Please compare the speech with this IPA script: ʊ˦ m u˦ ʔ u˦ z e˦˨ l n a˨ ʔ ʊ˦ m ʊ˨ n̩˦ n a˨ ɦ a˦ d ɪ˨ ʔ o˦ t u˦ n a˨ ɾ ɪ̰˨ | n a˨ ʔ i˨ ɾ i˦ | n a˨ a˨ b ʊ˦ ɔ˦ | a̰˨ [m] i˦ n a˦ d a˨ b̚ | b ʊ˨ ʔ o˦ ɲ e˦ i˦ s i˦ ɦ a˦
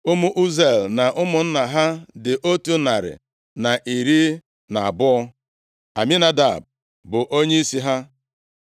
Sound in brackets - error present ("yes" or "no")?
no